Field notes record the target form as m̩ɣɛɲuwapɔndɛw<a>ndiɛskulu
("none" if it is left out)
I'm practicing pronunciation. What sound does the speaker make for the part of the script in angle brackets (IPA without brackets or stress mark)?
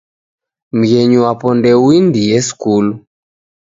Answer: i